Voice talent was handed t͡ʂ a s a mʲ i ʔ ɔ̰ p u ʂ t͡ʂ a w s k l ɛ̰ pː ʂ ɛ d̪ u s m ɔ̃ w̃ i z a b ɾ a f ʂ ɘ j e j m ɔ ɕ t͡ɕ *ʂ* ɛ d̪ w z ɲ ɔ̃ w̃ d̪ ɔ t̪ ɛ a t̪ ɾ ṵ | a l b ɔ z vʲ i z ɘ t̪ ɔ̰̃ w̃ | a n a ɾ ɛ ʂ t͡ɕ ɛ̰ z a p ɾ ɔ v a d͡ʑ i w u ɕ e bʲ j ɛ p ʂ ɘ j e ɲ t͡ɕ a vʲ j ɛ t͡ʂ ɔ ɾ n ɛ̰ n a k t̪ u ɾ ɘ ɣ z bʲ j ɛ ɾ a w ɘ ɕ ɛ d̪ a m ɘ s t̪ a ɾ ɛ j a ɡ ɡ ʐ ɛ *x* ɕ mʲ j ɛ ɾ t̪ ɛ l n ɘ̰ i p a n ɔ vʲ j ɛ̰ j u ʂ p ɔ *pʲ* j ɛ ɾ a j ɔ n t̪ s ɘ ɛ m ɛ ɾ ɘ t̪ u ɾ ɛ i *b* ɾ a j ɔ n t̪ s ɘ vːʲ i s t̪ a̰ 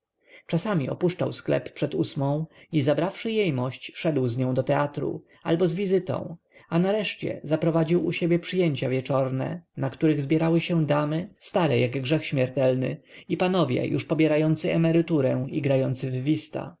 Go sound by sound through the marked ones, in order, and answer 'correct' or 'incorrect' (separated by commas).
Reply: correct, correct, incorrect, incorrect